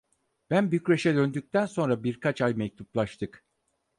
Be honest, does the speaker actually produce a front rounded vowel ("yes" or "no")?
yes